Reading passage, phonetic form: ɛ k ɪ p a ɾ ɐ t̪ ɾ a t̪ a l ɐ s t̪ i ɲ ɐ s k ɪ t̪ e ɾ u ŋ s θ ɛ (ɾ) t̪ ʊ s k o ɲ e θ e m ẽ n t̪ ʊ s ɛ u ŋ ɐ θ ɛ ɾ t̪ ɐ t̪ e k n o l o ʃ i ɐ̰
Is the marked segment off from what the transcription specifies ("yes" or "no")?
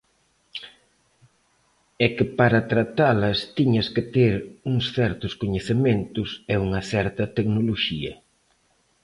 no